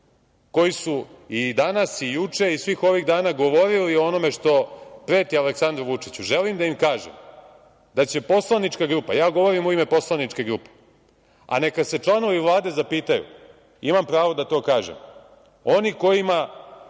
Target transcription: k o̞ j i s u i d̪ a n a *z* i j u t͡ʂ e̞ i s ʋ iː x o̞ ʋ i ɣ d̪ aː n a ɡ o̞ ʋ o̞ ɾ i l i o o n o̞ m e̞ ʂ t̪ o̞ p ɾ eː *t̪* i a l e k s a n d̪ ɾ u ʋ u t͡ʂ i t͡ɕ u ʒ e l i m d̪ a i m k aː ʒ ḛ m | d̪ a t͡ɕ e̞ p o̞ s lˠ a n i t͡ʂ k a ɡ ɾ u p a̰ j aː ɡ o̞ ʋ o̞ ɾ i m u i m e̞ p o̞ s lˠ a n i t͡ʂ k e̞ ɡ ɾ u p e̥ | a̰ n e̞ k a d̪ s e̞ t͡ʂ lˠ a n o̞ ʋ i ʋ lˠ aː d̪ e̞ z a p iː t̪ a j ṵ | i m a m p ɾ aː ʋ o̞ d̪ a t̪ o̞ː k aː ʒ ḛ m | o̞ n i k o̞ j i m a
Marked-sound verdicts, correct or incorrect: incorrect: s, correct

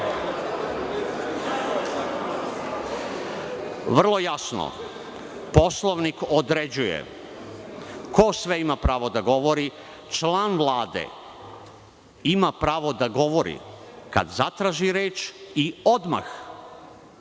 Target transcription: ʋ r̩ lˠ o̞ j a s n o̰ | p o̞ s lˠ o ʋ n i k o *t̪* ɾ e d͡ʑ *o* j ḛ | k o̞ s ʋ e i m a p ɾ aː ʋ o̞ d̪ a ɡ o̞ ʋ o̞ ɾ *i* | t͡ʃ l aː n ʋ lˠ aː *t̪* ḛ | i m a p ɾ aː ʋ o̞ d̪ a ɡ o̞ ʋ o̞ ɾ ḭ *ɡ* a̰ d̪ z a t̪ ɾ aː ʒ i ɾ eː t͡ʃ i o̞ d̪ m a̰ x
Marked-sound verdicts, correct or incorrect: incorrect: d̪, incorrect: u, correct, incorrect: d̪, incorrect: k

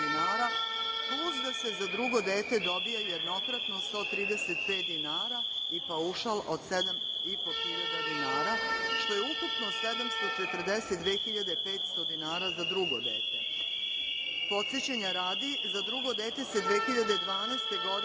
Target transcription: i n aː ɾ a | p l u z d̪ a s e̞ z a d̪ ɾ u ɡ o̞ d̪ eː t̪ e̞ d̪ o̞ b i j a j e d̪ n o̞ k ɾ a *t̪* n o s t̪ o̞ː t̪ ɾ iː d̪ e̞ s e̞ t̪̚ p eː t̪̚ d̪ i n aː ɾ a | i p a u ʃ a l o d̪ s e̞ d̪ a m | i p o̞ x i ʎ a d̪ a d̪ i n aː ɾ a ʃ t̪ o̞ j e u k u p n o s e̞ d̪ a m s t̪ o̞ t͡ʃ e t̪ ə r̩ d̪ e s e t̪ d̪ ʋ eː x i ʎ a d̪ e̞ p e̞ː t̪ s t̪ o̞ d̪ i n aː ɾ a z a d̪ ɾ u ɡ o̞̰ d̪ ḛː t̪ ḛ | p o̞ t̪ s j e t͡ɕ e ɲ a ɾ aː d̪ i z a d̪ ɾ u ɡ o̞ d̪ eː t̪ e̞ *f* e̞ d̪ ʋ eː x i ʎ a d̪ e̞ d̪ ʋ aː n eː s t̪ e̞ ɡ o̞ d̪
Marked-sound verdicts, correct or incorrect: correct, incorrect: s

